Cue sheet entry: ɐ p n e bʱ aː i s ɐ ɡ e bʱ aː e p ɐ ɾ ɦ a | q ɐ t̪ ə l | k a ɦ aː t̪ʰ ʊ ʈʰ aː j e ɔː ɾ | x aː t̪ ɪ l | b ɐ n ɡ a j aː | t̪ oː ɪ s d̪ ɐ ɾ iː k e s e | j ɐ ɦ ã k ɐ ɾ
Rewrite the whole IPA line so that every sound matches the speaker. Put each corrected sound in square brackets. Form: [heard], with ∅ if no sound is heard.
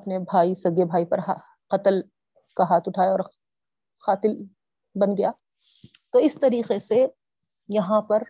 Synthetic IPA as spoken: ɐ p n e bʱ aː i s ɐ ɡ e bʱ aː [i] p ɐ ɾ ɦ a | q ɐ t̪ ə l | k a ɦ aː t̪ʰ ʊ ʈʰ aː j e ɔː ɾ | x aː t̪ ɪ l | b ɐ n ɡ [ɐ] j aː | t̪ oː ɪ s [t̪] ɐ ɾ iː [q] e s e | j ɐ ɦ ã [p] ɐ ɾ